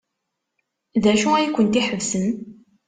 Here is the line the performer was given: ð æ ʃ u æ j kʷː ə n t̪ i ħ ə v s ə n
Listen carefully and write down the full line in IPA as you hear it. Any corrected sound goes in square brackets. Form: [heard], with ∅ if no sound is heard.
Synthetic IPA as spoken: ð æ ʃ u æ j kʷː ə n t̪ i ħ ə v s ə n